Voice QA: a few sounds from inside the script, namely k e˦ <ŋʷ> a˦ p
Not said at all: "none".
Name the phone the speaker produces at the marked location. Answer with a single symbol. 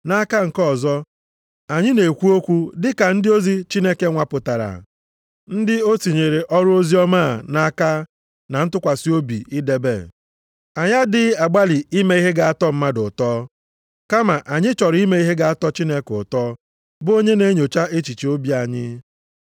ŋʷ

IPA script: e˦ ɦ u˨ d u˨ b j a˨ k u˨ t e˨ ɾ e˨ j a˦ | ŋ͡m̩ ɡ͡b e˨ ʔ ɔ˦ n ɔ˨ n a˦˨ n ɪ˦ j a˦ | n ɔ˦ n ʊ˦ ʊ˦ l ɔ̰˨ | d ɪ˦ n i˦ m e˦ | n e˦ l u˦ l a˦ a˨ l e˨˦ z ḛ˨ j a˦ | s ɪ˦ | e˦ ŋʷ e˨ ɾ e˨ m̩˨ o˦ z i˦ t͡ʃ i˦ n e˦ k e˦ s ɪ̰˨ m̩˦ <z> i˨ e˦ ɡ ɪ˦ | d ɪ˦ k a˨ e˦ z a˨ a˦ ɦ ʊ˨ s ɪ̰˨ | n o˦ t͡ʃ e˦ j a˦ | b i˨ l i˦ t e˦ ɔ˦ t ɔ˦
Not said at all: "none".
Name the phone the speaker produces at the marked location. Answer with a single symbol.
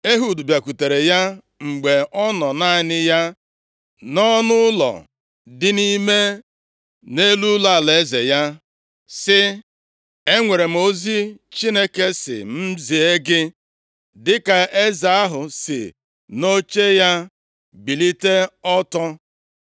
z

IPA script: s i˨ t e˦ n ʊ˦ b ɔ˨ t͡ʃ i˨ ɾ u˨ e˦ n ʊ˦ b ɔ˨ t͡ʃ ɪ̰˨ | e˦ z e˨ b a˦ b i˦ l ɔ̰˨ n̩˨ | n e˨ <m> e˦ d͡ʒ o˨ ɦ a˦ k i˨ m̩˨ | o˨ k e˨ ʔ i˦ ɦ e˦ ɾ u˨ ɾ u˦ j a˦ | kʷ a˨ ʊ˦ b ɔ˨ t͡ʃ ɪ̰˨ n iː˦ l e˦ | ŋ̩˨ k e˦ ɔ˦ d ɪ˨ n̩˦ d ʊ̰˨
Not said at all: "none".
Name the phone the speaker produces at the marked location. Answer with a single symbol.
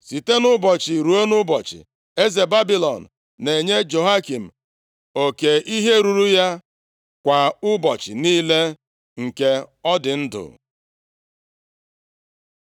ɲ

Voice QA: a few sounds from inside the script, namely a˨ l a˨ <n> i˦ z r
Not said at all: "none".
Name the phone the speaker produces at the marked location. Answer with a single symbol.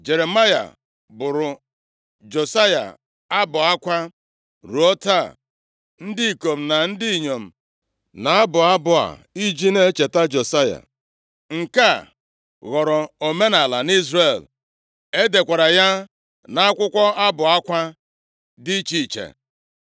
n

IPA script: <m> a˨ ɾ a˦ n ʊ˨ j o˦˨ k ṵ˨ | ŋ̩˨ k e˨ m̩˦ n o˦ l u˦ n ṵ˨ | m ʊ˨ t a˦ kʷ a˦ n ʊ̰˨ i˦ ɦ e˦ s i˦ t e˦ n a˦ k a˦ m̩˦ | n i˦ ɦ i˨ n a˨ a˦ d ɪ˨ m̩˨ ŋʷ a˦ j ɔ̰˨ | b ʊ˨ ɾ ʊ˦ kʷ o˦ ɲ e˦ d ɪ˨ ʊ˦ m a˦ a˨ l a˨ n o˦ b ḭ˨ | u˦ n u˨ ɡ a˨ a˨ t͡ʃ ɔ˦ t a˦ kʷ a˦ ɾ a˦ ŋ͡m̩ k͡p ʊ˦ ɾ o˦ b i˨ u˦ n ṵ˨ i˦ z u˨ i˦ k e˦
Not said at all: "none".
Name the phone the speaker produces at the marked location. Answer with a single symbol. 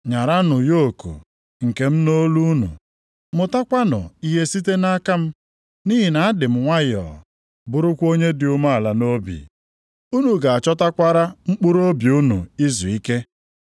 ɲ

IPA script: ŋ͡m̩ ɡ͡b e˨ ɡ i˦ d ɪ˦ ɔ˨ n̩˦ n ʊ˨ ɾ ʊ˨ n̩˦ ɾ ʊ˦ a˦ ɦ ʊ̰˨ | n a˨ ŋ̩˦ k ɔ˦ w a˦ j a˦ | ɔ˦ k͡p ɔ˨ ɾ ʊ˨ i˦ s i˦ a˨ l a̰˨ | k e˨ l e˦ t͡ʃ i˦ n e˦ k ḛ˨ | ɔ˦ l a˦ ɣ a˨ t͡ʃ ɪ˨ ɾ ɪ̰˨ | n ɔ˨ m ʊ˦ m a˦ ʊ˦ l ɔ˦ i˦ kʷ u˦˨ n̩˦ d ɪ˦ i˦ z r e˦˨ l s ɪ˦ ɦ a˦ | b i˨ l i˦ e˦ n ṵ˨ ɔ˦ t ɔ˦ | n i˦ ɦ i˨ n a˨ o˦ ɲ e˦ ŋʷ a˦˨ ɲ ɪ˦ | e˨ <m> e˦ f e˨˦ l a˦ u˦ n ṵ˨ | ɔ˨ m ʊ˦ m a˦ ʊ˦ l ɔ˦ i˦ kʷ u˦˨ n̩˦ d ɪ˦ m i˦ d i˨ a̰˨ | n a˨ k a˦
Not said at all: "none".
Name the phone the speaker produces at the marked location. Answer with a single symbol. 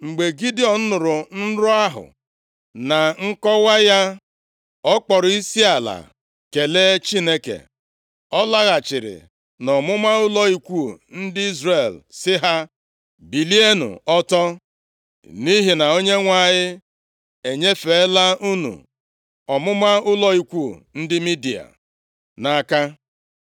ɲ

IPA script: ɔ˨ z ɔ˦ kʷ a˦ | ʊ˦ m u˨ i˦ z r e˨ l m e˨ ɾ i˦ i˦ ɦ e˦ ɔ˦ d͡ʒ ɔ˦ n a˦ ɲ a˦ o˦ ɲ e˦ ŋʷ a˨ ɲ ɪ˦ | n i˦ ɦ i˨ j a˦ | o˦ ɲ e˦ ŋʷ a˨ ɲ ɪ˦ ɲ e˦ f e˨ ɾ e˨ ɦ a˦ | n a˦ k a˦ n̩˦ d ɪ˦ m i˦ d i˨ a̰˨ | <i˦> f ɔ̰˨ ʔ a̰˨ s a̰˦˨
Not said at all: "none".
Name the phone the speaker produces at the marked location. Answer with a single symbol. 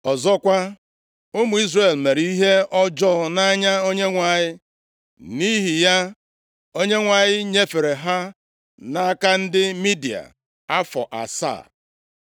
a˦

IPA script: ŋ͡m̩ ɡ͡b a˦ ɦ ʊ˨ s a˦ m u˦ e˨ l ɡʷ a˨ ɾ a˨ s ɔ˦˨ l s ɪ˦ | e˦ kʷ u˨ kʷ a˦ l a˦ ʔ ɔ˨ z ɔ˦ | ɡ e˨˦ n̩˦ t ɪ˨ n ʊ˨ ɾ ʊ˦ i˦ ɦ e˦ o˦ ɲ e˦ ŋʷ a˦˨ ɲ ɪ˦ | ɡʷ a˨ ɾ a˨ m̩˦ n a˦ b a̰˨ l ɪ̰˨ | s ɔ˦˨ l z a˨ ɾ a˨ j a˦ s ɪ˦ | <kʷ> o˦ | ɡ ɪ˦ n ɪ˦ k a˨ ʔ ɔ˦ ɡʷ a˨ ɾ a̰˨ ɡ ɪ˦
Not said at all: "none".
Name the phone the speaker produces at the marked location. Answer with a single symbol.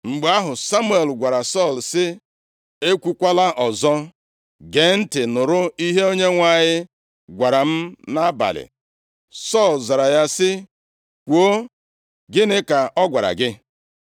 kʷ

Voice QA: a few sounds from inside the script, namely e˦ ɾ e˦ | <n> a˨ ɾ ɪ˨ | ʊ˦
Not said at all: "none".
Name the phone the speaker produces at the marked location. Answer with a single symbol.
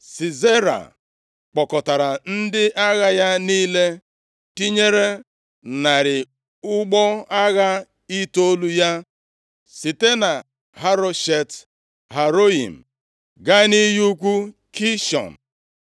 n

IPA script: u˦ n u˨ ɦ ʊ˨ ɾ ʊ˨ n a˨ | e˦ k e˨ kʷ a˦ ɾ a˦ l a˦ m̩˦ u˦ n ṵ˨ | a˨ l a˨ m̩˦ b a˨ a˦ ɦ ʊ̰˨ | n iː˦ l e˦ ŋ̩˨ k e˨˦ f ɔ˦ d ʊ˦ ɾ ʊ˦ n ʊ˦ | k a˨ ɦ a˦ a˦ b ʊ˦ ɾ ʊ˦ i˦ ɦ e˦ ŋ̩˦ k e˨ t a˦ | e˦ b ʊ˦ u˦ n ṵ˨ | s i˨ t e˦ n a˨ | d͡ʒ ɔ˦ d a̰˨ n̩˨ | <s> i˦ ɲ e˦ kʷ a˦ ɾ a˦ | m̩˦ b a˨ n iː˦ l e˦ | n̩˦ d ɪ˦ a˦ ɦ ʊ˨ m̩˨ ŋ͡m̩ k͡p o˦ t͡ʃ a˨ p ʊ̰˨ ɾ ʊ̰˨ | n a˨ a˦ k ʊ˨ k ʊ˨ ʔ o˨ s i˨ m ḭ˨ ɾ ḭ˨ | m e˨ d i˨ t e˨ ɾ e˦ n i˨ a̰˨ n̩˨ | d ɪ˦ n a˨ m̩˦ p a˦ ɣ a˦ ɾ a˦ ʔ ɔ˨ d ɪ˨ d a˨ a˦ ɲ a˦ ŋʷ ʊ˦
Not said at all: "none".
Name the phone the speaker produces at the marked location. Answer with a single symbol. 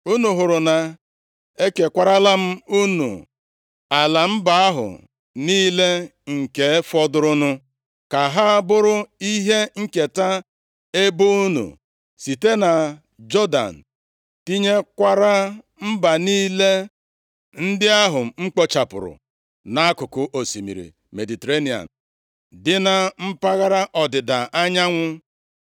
t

